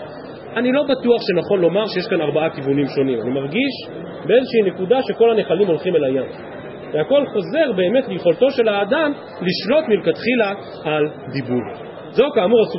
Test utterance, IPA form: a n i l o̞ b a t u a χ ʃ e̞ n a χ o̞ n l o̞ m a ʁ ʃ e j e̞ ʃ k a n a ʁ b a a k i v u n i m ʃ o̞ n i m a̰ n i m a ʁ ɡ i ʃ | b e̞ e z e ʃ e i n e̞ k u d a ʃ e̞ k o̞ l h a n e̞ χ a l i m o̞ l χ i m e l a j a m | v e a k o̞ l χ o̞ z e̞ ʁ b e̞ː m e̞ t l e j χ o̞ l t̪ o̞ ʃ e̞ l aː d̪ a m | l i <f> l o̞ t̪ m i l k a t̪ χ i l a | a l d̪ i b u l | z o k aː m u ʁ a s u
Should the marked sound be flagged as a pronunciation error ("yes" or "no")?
yes